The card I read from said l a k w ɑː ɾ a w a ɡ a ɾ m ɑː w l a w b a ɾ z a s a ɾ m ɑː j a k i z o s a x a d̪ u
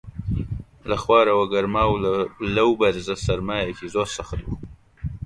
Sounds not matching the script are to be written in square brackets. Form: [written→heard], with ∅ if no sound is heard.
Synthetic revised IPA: l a [k→x] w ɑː ɾ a w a ɡ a ɾ m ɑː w l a w b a ɾ z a s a ɾ m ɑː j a k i z o s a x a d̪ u